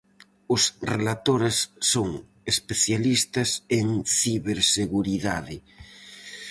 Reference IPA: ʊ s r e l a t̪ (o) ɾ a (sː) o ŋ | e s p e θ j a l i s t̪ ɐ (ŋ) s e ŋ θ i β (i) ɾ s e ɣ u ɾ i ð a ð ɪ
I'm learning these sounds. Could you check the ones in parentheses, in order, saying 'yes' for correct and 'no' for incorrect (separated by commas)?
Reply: yes, yes, no, no